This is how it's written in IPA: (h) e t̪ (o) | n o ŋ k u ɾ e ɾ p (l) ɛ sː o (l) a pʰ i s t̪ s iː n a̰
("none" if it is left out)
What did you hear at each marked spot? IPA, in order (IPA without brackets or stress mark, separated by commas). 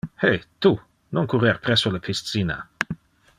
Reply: h, u, ɾ, l